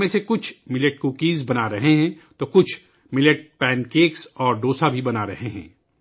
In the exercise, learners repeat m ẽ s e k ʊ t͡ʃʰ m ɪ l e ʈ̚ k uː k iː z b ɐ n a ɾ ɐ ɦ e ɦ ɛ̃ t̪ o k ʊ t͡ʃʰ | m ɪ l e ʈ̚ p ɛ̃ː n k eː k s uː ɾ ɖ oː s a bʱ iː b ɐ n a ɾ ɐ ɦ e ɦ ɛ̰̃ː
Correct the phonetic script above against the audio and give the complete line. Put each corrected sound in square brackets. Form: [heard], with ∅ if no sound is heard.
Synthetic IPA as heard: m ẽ s e k ʊ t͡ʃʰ m ɪ l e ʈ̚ k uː k iː z b ɐ n a ɾ ɐ ɦ e ɦ ɛ̃ t̪ o k ʊ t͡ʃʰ | m ɪ l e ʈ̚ p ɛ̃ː n k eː k s [ɔː] ɾ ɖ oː s a bʱ [i] b ɐ n a ɾ ɐ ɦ e ɦ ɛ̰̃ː